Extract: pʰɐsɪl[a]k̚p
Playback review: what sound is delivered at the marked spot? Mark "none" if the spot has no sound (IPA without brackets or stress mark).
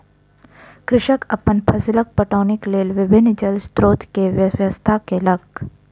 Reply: ə